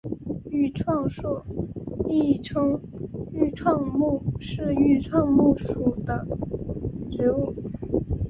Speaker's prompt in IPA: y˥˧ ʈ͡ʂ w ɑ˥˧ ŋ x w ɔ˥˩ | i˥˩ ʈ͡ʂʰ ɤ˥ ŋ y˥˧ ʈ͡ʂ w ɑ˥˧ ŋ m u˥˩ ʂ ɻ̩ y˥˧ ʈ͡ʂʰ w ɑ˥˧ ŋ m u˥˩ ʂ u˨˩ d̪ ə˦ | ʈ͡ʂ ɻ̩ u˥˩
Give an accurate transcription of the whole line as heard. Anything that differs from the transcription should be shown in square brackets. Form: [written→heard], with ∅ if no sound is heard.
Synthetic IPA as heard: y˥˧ [ʈ͡ʂ→ʈ͡ʂʰ] w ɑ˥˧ ŋ [x→ʂ] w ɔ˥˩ | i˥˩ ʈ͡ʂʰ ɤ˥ ŋ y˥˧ [ʈ͡ʂ→ʈ͡ʂʰ] w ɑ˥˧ ŋ m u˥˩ ʂ ɻ̩ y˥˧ ʈ͡ʂʰ w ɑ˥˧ ŋ m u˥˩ ʂ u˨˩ d̪ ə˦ | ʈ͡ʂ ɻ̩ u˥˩